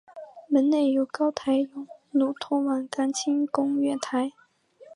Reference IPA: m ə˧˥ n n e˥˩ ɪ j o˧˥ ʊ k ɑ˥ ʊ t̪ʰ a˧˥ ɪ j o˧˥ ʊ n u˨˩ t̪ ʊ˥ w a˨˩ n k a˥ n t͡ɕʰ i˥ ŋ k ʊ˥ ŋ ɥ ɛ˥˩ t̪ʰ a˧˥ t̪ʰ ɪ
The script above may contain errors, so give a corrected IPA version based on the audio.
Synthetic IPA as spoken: m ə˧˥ n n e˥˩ ɪ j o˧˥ ʊ k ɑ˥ ʊ t̪ʰ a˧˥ ɪ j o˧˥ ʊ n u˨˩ t̪ʰ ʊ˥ w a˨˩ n k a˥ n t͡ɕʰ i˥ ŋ k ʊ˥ ŋ ɥ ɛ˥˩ t̪ʰ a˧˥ ɪ